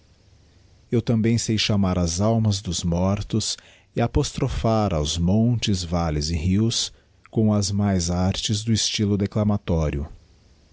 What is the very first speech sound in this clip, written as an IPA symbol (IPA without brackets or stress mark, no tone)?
e